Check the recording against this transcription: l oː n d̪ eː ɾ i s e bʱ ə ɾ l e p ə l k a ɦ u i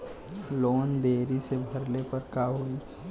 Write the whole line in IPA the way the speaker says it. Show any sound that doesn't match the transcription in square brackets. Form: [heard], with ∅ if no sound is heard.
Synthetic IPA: l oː n d̪ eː ɾ i s e bʱ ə ɾ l e p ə [ɾ] k a ɦ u i